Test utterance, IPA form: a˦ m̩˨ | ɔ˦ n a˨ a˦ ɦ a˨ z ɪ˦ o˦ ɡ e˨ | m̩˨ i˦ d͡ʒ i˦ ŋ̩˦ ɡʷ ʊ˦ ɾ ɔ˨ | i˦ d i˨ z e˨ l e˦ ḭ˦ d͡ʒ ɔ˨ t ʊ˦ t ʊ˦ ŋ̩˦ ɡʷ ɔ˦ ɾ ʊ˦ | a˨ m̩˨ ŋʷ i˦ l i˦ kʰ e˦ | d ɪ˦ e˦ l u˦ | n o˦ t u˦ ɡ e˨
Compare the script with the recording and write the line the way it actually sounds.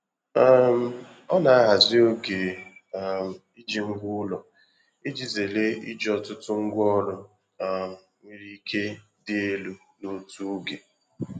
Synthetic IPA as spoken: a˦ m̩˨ | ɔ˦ n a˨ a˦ ɦ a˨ z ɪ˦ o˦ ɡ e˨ | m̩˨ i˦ d͡ʒ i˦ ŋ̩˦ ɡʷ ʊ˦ l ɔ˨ | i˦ d͡ʒ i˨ z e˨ l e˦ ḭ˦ d͡ʒ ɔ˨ t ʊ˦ t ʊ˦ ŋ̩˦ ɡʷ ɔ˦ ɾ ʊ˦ | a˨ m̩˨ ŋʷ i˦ ɾ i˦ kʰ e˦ | d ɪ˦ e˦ l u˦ | n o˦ t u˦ ɡ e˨

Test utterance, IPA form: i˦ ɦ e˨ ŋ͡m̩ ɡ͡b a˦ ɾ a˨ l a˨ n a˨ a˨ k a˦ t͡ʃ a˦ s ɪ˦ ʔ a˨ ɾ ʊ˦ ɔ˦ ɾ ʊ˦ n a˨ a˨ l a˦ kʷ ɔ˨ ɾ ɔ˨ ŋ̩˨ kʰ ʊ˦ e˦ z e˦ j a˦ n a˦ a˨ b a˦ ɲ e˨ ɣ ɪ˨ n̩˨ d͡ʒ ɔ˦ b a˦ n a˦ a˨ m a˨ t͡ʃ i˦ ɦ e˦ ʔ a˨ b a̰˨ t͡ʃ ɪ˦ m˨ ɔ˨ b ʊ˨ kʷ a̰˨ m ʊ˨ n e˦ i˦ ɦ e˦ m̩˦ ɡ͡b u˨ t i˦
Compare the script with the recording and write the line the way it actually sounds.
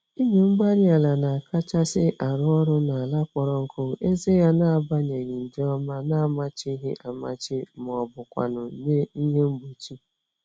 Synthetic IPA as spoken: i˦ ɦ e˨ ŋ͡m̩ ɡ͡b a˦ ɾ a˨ l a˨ n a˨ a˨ k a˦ t͡ʃ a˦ s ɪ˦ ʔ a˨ ɾ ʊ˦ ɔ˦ ɾ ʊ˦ n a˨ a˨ l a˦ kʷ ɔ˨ ɾ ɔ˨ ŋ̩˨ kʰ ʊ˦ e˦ z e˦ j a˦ n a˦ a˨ b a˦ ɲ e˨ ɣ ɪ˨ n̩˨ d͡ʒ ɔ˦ m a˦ n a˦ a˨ m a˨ t͡ʃ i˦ ɦ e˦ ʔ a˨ m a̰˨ t͡ʃ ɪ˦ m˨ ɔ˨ b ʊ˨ kʷ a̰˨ n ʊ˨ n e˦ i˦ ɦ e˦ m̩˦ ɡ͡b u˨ t͡ʃ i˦

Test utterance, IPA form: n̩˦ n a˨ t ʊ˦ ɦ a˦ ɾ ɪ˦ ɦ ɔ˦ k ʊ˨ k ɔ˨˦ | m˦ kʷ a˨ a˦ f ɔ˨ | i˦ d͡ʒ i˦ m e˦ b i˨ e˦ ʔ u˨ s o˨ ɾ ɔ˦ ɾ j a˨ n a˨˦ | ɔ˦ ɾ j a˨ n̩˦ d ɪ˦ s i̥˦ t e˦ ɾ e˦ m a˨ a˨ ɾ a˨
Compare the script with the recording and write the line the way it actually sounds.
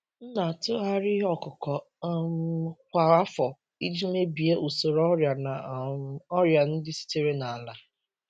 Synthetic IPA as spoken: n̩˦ n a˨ t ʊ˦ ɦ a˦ ɾ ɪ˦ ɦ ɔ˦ k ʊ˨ k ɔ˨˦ | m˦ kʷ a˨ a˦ f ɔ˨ | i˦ d͡ʒ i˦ m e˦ b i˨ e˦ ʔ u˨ s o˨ ɾ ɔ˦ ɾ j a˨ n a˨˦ | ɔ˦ ɾ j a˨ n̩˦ d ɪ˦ s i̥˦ t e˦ ɾ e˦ n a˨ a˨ l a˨

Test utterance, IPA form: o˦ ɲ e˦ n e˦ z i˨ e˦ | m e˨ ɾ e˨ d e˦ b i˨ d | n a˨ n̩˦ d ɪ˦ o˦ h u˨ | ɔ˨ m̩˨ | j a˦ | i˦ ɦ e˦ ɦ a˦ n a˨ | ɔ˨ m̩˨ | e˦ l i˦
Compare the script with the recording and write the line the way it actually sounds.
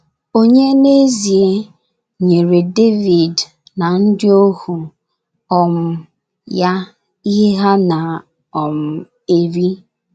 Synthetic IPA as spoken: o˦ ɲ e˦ n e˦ z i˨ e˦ | ɲ e˨ ɾ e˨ d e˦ v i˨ d | n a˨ n̩˦ d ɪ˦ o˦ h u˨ | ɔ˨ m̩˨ | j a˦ | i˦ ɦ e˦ ɦ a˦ n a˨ | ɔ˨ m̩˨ | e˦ ɾ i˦

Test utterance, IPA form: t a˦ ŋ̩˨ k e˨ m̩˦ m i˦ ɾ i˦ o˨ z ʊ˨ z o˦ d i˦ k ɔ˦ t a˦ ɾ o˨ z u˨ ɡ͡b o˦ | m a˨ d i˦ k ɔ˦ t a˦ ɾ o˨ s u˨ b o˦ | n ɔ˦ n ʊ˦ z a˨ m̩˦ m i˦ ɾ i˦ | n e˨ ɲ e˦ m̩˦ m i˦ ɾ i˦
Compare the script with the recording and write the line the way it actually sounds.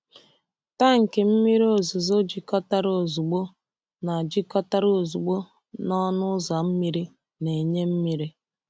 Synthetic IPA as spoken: t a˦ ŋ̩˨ k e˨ m̩˦ m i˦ ɾ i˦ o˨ z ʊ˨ z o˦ d͡ʒ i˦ k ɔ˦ t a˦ ɾ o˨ z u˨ ɡ͡b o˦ | n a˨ d͡ʒ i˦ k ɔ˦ t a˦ ɾ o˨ z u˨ ɡ͡b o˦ | n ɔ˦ n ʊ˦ z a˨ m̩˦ m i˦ ɾ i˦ | n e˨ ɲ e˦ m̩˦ m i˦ ɾ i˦

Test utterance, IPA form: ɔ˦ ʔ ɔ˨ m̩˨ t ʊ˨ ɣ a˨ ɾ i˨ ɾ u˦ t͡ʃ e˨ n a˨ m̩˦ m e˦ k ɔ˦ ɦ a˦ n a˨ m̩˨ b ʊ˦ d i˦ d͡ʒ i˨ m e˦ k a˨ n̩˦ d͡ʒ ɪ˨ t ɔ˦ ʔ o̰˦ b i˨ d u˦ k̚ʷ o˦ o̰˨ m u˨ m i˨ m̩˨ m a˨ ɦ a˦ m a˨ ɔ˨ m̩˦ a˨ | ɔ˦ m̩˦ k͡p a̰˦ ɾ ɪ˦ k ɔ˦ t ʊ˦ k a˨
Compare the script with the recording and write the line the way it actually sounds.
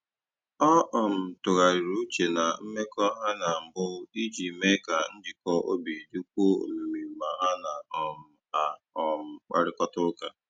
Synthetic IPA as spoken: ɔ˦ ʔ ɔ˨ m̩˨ t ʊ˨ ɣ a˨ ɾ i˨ ɾ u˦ t͡ʃ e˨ n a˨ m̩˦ m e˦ k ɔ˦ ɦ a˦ n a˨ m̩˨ b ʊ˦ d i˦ d͡ʒ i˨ m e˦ k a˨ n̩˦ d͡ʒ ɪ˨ k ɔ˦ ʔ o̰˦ b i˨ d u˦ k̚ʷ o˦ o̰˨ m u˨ m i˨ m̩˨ m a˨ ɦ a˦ n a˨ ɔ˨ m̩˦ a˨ | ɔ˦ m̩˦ k͡p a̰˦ ɾ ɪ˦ k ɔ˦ t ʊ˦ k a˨

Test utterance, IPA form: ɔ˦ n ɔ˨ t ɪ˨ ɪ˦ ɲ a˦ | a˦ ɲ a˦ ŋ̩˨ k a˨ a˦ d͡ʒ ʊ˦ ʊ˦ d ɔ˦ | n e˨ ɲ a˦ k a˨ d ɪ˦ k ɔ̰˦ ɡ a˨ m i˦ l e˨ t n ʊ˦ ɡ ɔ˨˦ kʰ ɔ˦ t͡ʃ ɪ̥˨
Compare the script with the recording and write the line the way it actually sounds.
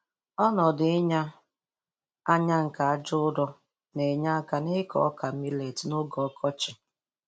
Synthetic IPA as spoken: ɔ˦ n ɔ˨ d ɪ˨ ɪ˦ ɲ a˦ | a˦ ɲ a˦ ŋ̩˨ k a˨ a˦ d͡ʒ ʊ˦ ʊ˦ d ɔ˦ | n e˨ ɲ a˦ k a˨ n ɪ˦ k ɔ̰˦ k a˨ m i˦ l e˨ t n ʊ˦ ɡ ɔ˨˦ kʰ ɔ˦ t͡ʃ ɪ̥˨

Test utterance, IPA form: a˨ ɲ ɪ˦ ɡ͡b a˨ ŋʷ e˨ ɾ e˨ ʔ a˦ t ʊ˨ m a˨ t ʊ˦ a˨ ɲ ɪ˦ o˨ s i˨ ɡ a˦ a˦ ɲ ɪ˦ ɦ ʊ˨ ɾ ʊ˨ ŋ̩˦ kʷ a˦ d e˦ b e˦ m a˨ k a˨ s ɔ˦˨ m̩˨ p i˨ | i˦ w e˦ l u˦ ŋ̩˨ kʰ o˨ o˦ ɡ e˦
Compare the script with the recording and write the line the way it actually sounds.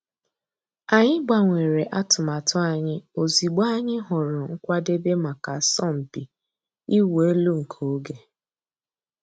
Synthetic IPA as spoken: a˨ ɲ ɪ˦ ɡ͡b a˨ ŋʷ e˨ ɾ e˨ ʔ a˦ t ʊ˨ m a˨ t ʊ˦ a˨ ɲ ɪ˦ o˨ z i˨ ɡ͡b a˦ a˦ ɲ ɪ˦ ɦ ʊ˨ ɾ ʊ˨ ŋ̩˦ kʷ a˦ d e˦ b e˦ m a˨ k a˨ s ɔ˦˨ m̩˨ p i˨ | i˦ w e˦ l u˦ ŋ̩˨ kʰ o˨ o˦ ɡ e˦

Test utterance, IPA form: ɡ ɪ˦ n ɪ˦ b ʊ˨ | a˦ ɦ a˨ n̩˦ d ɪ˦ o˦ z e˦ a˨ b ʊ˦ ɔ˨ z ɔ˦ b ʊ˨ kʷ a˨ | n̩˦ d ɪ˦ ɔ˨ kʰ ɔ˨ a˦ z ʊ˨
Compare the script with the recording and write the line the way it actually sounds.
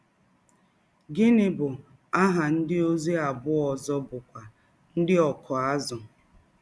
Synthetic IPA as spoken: ɡ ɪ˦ n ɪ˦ b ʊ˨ | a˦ ɦ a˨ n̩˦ d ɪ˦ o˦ z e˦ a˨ b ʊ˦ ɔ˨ z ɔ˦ b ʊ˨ kʷ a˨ | n̩˦ d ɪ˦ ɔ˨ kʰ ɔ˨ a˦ z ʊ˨

